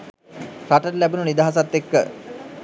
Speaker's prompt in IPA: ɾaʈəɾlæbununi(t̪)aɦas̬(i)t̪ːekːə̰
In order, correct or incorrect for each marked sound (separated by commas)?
incorrect, incorrect